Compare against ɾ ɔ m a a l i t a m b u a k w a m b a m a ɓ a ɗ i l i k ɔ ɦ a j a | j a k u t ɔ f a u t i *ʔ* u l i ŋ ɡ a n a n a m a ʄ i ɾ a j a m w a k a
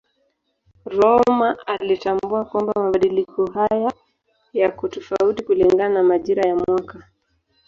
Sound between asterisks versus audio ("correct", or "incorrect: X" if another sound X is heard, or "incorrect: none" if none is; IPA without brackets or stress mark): incorrect: k